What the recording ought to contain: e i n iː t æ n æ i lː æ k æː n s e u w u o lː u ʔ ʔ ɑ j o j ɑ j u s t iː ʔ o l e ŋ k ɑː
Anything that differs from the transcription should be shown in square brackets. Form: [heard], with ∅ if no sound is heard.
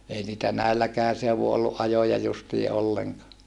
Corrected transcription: e i n iː t æ n æ i lː æ k æː n s e u [ʋ] u o lː u ʔ ʔ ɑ j o j ɑ j u s t iː ʔ o [lː] e ŋ k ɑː